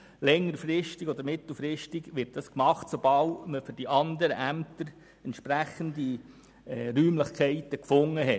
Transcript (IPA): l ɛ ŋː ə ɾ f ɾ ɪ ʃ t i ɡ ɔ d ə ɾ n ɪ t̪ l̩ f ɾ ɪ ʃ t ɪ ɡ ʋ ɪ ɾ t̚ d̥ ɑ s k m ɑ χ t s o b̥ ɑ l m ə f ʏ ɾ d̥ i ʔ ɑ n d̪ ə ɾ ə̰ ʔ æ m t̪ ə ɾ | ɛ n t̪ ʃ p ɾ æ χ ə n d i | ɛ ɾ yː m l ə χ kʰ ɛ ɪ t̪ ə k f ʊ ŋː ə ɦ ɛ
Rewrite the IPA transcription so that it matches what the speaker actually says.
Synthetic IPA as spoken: l ɛ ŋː ə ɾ f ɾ ɪ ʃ t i ɡ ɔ d ə ɾ m ɪ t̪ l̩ f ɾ ɪ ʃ t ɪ ɡ ʋ ɪ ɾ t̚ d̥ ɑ s k m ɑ χ t s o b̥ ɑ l m ə f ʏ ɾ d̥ i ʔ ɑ n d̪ ə ɾ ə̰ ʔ æ m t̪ ə ɾ | ɛ n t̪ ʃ p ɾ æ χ ə n d i | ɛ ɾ yː m l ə χ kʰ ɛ ɪ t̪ ə k f ʊ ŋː ə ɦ ɛ

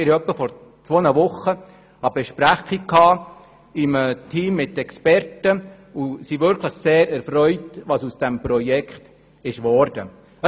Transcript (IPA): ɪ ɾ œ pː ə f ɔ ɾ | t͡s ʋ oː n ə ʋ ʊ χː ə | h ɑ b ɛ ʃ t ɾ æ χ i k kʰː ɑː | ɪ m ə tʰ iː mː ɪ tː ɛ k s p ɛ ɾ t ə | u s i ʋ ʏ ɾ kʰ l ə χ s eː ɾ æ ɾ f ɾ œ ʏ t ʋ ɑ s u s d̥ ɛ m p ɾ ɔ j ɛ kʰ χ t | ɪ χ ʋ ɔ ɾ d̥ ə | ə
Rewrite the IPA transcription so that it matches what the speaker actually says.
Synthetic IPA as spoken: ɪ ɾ œ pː ə f ɔ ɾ | t͡s ʋ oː n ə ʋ ʊ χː ə | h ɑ b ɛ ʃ p ɾ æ χ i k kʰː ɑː | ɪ m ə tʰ iː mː ɪ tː ɛ k s p ɛ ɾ t ə | u s i ʋ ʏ ɾ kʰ l ə χ s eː ɾ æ ɾ f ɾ œ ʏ t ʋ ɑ s u s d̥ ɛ m p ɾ ɔ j ɛ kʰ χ t | ɪ ʃ ʋ ɔ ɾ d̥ ə | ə

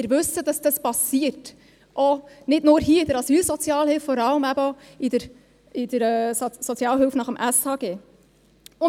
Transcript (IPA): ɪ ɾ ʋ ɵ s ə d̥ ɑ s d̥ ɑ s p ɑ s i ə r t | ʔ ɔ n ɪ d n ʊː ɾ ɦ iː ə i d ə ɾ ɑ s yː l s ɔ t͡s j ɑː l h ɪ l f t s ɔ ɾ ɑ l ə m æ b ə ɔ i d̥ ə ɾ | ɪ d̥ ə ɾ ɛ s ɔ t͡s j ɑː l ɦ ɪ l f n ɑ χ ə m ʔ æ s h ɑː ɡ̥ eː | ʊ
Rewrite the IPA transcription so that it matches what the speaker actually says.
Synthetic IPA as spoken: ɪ ɾ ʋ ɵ s ə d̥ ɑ s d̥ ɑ s p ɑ s i ə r t | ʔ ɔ n ɪ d n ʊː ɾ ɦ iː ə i d ə ɾ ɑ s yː l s ɔ t͡s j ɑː l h ɪ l f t f ɔ ɾ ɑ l ə m æ b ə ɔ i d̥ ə ɾ | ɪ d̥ ə ɾ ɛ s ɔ t͡s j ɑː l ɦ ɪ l f n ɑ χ ə m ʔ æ s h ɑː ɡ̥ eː | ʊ

